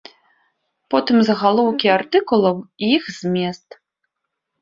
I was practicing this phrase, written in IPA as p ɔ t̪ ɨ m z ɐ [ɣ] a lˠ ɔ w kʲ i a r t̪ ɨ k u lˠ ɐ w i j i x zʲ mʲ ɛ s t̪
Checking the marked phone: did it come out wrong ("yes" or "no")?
no